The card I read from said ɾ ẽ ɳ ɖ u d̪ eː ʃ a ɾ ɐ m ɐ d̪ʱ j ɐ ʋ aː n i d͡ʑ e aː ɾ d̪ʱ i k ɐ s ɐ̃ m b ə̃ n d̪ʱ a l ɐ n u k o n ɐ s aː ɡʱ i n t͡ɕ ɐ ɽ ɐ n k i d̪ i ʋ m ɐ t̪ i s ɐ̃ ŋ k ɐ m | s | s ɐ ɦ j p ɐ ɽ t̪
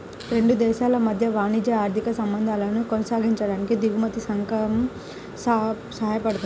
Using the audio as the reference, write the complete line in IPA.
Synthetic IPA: ɾ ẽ ɳ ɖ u d̪ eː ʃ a l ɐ m ɐ d̪ʱ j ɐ ʋ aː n i d͡ʑ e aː ɾ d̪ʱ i k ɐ s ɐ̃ m b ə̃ n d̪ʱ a l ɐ n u k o n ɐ s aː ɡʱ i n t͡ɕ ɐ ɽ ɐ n k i d̪ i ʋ m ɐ t̪ i s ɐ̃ ŋ k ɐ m | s | s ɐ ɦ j p ɐ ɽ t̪